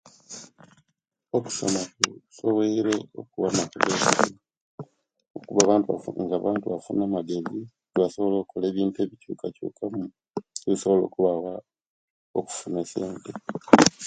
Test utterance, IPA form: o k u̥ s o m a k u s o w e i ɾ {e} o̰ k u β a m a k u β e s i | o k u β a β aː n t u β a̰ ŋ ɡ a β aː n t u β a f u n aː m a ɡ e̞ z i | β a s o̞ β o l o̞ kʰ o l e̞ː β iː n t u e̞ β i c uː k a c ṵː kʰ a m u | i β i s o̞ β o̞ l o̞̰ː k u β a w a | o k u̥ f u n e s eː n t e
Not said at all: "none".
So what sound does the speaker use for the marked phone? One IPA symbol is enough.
e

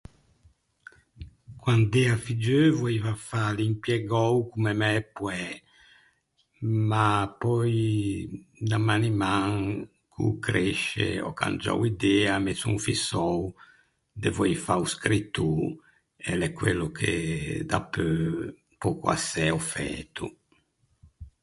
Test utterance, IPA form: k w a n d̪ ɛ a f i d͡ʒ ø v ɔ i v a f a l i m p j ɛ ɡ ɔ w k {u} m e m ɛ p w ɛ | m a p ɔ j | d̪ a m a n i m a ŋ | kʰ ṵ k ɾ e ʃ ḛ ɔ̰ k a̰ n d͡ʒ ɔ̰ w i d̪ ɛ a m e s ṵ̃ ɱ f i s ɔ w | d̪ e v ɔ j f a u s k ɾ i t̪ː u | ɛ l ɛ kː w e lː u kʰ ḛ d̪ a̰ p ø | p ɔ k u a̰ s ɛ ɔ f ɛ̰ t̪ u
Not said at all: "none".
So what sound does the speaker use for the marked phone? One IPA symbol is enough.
u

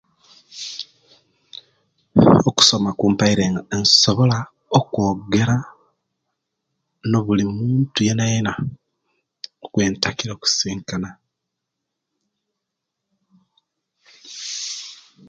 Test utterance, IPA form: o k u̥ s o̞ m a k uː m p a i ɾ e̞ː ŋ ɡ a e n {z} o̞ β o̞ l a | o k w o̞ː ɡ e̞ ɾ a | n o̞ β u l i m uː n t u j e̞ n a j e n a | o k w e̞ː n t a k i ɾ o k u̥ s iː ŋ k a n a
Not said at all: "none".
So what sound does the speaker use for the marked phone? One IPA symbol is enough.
s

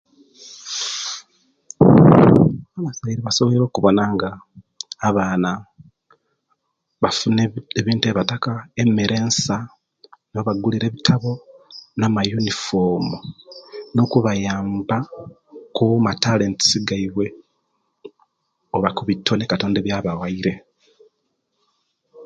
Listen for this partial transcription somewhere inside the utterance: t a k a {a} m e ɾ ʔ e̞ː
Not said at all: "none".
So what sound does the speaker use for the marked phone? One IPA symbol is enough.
e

